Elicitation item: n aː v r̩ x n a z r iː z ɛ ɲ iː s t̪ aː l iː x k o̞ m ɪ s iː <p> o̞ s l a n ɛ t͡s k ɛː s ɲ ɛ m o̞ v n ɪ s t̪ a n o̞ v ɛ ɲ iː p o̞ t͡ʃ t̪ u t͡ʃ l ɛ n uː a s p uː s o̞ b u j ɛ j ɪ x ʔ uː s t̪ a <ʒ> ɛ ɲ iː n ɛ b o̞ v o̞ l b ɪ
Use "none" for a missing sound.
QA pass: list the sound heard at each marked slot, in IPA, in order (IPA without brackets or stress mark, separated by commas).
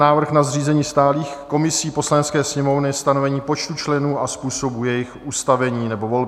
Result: p, v